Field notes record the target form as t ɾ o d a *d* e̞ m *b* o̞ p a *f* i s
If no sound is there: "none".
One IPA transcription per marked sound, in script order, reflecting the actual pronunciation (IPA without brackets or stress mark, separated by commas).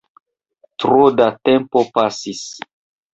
t, p, s